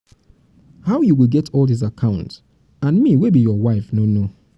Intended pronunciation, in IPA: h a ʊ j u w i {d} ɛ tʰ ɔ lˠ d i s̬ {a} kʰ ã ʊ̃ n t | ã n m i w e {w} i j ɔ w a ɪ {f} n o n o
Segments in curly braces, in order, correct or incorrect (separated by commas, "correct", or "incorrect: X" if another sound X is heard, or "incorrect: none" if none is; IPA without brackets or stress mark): incorrect: ɡ, correct, incorrect: b, correct